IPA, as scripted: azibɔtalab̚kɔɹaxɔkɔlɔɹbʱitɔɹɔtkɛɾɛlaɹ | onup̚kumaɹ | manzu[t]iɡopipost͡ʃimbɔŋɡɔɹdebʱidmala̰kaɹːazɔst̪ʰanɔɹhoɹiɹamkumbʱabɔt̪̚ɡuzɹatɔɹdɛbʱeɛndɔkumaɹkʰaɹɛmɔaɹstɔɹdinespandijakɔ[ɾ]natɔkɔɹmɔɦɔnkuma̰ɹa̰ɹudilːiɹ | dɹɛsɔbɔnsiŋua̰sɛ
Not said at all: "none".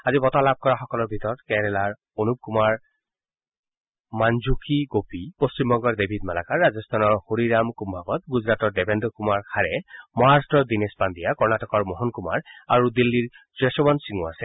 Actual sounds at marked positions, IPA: k, ɹ

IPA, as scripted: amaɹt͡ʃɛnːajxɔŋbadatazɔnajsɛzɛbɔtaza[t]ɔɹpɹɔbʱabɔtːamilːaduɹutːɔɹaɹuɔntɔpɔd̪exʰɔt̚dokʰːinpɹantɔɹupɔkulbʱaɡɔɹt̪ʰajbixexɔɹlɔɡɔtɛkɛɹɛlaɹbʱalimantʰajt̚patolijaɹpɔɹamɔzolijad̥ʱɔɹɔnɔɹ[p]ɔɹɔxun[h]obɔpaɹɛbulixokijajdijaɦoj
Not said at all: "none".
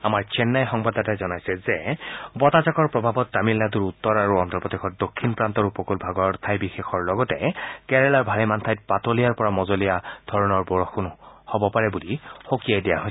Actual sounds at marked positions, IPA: k, b, h

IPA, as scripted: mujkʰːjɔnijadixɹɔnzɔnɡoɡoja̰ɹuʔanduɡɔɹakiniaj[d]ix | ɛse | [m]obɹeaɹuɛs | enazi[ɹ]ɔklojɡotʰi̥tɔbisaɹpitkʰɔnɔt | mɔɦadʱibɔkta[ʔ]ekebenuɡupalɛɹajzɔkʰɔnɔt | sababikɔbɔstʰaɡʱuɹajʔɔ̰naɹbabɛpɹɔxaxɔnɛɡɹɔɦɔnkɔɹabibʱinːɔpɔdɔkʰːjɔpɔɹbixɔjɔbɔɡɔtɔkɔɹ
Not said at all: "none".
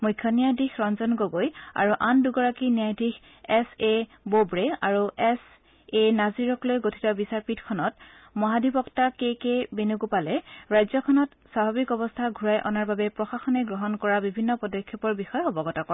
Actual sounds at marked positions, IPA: d, b, ɹ, k

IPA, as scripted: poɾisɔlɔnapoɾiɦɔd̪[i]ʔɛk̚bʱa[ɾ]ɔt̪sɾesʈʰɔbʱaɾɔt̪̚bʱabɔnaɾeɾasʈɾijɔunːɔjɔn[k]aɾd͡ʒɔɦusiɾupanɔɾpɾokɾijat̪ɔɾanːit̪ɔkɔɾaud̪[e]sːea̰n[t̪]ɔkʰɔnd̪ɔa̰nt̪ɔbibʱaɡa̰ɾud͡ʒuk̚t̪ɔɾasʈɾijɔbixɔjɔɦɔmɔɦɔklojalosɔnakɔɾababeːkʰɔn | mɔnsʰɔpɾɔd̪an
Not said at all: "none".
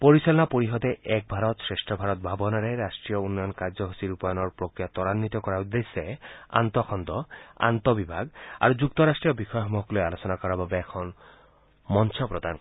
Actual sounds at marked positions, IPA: e, ɾ, k, e, t̪

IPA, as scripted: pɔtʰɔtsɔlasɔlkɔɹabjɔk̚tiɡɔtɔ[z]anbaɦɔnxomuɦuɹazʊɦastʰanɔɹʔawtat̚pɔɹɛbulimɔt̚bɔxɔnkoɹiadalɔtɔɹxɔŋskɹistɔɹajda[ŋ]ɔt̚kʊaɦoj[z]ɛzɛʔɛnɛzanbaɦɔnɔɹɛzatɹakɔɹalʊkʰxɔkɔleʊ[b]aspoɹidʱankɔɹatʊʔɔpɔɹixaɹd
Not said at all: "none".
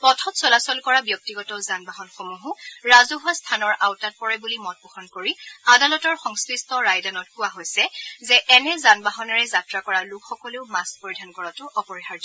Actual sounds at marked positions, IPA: z, n, s, m

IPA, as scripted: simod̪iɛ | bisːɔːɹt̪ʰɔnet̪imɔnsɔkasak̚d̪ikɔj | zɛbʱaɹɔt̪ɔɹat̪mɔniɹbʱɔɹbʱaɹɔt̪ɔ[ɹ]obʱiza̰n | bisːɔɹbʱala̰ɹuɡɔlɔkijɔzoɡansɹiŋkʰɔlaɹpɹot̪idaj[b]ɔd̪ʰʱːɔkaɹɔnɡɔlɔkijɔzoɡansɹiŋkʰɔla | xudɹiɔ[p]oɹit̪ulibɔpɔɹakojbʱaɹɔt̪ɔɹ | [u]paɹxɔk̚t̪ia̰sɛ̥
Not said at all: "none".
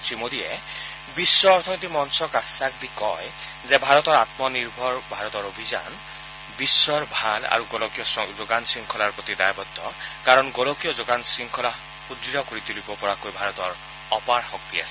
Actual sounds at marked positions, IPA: ɹ, b, k, ɔ

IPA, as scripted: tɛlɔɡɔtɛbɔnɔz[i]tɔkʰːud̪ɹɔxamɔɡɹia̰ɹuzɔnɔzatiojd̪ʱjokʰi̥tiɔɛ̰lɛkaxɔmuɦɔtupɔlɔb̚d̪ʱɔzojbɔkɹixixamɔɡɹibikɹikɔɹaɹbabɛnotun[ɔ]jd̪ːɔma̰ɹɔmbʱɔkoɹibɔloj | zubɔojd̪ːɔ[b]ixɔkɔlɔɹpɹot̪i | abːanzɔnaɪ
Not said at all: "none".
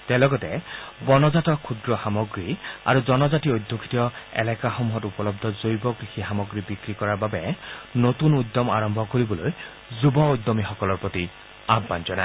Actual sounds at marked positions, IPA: a, u, m

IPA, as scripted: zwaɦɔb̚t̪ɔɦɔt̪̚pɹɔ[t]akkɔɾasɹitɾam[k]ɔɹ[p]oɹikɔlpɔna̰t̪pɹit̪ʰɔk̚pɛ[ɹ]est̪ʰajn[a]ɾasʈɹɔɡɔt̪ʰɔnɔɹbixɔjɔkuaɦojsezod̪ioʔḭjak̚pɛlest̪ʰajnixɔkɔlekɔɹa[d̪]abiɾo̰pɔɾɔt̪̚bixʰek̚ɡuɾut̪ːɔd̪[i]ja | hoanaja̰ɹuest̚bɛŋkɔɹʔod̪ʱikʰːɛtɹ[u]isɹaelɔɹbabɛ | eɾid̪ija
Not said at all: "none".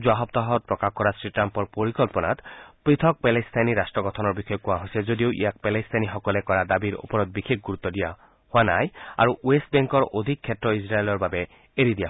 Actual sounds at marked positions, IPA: k, p, p, l, i, d̪, i, ɔ

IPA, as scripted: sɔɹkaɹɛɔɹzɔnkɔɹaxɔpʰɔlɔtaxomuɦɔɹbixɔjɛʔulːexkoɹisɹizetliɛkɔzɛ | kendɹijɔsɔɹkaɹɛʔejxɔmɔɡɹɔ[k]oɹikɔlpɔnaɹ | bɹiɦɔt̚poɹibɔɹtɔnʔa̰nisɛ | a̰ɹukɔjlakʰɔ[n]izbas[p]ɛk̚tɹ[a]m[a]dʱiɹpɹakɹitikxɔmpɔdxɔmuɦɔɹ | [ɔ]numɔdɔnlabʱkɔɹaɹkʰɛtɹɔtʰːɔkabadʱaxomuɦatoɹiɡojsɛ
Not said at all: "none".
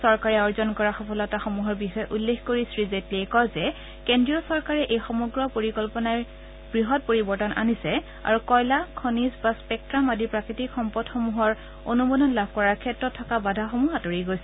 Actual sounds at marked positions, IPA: p, n, p, a, a, o

